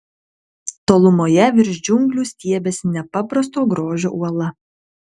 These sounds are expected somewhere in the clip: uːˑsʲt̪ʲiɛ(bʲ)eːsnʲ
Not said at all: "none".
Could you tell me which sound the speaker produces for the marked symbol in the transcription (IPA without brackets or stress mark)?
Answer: bʲ